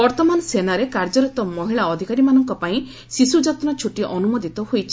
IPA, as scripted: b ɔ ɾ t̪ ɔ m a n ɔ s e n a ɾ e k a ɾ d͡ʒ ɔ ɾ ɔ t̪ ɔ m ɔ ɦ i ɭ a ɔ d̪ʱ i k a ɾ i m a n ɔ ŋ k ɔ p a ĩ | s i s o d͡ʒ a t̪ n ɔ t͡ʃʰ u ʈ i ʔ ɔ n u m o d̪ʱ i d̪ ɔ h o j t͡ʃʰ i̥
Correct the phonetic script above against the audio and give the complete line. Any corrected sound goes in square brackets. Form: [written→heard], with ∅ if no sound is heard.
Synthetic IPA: b ɔ ɾ t̪ ɔ m a n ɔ s e n a ɾ e k a ɾ d͡ʒ ɔ ɾ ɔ t̪ ɔ m ɔ ɦ i ɭ a ɔ d̪ʱ i k a ɾ i m a n ɔ ŋ k ɔ p a ĩ | s i s [o→u] d͡ʒ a t̪ n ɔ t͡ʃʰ u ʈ i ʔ ɔ n u m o d̪ʱ i [d̪→t̪] ɔ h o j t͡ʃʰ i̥